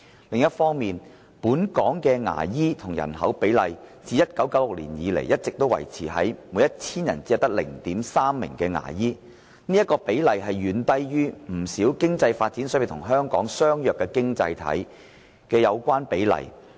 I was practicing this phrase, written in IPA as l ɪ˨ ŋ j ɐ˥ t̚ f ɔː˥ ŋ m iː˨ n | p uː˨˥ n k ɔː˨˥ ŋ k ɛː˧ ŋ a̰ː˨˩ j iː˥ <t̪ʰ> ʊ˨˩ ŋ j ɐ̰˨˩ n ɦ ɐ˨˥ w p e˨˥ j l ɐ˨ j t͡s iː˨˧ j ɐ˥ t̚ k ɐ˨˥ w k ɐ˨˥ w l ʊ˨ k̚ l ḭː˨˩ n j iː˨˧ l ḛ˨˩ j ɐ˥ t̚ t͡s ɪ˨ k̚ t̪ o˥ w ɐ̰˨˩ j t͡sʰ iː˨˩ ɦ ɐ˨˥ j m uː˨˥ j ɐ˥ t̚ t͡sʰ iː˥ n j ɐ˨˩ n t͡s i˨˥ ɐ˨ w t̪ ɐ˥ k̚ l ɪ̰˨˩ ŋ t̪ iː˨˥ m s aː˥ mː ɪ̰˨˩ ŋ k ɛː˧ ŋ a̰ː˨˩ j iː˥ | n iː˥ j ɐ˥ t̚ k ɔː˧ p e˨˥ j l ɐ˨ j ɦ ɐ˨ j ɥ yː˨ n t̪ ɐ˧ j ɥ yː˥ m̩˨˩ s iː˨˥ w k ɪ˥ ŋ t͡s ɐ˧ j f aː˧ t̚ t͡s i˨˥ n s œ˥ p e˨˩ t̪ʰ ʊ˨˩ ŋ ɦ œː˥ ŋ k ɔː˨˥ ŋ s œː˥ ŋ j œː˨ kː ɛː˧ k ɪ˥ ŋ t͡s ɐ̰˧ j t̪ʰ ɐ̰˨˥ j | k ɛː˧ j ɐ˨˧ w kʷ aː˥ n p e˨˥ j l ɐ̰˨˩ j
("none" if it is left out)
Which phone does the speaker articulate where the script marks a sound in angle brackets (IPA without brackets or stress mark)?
t̪ʰ